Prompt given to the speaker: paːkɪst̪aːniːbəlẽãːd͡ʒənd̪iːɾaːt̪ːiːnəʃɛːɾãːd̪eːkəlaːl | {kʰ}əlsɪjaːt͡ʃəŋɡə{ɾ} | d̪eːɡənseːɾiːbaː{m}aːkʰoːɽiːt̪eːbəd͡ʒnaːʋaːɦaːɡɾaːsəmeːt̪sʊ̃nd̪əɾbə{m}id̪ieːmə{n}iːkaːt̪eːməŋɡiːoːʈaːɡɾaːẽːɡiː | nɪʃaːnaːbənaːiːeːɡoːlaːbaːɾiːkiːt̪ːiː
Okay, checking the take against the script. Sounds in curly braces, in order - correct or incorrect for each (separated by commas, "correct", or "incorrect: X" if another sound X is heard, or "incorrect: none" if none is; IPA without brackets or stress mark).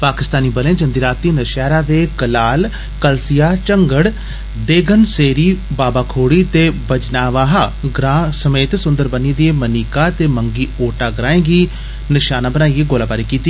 incorrect: k, incorrect: ɽ, incorrect: b, incorrect: n, correct